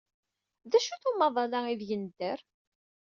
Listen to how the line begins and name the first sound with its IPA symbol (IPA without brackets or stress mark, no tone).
ð